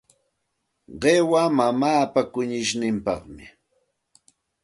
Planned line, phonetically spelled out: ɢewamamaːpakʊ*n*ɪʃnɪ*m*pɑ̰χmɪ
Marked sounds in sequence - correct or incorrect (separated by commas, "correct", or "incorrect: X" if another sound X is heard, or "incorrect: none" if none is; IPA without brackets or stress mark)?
incorrect: ɲ, correct